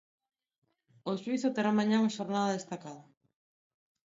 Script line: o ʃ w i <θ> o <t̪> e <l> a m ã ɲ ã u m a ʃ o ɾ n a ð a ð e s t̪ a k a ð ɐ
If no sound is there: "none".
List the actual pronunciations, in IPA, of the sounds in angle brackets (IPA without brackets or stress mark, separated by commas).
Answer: θ, t̪, ɾ